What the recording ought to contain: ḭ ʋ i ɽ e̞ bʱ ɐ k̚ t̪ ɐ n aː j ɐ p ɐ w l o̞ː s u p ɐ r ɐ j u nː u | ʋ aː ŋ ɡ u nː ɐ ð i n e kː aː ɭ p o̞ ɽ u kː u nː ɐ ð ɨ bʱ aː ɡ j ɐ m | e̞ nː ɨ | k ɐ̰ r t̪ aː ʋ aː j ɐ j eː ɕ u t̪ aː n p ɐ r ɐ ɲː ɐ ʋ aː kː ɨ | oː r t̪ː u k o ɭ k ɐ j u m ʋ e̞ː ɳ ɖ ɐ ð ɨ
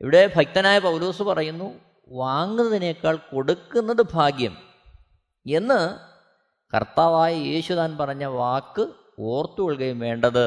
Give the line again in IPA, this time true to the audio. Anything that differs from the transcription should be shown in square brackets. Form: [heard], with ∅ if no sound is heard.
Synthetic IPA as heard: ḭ ʋ i ɽ e̞ bʱ ɐ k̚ t̪ ɐ n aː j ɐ p ɐ w l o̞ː s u p ɐ r ɐ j u nː u | ʋ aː ŋ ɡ u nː ɐ ð i n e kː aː ɭ [k] o̞ ɽ u kː u nː ɐ ð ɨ bʱ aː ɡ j ɐ m | e̞ nː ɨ | k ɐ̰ r t̪ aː ʋ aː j ɐ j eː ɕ u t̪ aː n p ɐ r ɐ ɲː ɐ ʋ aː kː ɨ | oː r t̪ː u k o ɭ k ɐ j u m ʋ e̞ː ɳ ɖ ɐ ð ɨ